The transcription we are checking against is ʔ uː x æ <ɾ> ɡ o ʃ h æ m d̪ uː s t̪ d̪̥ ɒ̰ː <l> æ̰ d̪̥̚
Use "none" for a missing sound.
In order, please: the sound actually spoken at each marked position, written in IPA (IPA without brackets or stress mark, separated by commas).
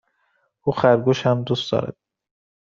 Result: ɾ, ɾ